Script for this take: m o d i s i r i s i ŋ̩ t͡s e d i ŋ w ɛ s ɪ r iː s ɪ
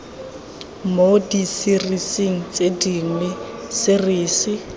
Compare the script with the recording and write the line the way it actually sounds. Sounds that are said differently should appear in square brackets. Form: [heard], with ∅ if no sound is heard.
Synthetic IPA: m o d i s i r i s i ŋ̩ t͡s e d i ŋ w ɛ s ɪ r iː s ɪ